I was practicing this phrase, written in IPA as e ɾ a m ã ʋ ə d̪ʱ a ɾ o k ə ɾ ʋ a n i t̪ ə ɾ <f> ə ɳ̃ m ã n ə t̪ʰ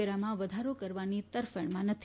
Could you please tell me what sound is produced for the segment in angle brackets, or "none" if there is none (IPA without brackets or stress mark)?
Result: f